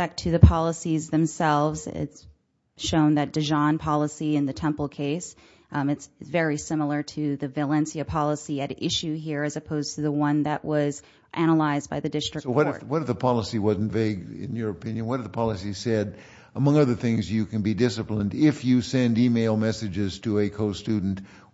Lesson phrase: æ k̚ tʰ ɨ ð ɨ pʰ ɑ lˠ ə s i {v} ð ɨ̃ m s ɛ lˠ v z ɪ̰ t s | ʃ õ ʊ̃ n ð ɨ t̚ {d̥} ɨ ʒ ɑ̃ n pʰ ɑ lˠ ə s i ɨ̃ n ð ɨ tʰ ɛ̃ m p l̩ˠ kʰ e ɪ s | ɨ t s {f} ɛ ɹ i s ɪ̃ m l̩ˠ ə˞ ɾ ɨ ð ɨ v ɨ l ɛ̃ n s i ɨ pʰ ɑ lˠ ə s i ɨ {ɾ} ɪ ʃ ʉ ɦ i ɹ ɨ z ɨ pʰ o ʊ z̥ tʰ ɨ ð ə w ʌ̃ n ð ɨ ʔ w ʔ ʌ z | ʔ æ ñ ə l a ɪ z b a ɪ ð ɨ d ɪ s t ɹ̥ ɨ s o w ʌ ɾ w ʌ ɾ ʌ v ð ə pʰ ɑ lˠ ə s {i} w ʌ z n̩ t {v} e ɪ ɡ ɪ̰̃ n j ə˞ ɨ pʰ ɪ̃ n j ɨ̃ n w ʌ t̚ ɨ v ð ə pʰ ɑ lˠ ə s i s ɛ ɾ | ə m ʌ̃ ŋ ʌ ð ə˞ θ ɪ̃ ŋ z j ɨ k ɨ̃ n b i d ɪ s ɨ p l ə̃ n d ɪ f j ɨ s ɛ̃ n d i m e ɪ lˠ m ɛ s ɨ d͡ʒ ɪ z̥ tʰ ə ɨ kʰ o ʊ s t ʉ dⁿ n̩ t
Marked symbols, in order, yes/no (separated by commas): no, yes, no, yes, yes, yes